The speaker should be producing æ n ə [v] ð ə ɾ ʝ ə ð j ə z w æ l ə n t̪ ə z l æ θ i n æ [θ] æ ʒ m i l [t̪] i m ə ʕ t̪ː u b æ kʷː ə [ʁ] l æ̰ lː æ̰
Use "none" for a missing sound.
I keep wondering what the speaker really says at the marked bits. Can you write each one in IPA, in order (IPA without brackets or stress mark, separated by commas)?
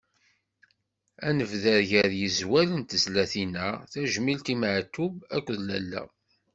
v, θ, t̪, ð